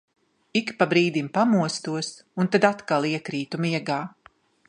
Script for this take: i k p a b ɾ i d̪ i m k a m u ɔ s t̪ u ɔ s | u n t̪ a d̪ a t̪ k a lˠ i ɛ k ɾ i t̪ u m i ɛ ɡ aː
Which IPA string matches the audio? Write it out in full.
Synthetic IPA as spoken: i k p a b ɾ iː d̪ i m p a m u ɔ s t̪ u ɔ s | u n t̪ a d̪ a t̪ k a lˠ i ɛ k ɾ iː t̪ u m i ɛ ɡ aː

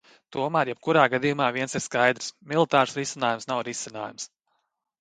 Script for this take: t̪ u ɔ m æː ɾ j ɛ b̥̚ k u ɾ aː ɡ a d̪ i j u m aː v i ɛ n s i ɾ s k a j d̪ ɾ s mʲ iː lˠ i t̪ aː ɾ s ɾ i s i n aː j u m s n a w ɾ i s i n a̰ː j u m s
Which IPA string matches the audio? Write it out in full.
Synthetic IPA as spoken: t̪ u ɔ m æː ɾ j ɛ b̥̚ k u ɾ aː ɡ a d̪ i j u m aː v i ɛ n s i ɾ s k a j d̪ ɾ s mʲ i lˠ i t̪ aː ɾ s ɾ i s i n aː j u m s n a w ɾ i s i n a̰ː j u m s

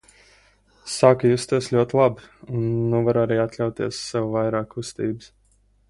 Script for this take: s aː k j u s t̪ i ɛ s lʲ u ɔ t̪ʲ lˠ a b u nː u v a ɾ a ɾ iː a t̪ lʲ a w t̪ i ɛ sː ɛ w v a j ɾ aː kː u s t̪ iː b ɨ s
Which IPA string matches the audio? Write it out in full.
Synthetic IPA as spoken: s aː k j u s t̪ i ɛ s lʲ u ɔ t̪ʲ lˠ a b u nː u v a ɾ a ɾ iː a t̪ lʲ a w t̪ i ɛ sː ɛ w v a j ɾ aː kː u s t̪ iː b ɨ s

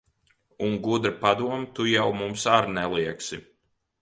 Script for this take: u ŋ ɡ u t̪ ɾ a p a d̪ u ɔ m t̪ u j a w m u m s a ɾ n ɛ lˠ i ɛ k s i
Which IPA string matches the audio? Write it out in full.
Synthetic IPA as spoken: u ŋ ɡ u d̪ ɾ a p a d̪ u ɔ m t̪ u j a w m u m s a ɾ n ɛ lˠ i ɛ k s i

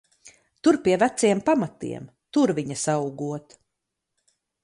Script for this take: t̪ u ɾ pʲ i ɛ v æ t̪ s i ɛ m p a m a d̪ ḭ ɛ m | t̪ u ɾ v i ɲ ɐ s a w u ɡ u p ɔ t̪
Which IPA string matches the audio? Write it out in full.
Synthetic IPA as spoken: t̪ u ɾ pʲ i ɛ v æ t̪ s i ɛ m p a m a t̪ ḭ ɛ m | t̪ u ɾ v i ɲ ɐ s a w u ɡ u ɔ t̪

